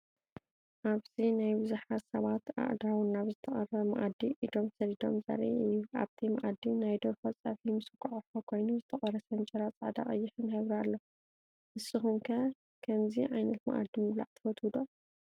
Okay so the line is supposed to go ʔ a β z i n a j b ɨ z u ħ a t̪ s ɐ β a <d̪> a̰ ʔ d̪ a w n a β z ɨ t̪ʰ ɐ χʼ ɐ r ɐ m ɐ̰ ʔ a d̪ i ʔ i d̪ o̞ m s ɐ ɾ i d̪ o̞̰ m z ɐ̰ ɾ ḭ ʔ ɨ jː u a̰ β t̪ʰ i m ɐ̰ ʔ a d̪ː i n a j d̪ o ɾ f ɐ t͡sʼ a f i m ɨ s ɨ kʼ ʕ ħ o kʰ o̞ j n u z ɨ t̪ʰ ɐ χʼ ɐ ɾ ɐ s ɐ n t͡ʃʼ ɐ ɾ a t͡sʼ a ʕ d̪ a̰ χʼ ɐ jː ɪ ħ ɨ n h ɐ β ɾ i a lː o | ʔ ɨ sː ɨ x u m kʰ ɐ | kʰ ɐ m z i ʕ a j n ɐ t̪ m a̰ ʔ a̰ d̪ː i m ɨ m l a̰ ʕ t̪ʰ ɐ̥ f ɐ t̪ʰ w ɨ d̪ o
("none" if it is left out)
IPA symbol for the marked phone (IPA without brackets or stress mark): t̪